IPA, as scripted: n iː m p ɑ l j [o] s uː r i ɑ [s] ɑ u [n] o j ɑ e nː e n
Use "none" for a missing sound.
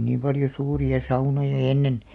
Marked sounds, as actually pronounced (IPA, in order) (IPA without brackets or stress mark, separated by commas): o, s, n